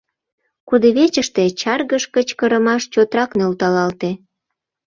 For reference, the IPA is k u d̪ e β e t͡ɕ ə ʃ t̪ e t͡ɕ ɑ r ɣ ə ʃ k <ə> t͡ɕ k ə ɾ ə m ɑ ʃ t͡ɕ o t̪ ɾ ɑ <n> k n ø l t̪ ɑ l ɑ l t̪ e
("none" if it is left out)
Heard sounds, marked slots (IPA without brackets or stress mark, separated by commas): ə, none